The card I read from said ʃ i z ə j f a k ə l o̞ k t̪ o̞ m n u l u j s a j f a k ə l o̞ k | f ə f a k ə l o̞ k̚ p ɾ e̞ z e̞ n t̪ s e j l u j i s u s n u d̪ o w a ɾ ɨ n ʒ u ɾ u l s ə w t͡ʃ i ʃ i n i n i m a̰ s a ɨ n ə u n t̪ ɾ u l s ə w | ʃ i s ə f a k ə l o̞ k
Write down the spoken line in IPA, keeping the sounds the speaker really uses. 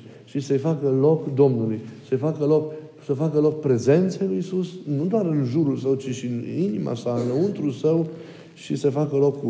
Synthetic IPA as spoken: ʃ i s ə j f a k ə l o̞ k d̪ o̞ m n u l u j s ə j f a k ə l o̞ k | s ə f a k ə l o̞ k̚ p ɾ e̞ z e̞ n t̪ s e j l u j i s u s n u d̪ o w a ɾ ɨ n ʒ u ɾ u l s ə w t͡ʃ i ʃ i n i n i m a̰ s a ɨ n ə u n t̪ ɾ u l s ə w | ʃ i s ə f a k ə l o̞ k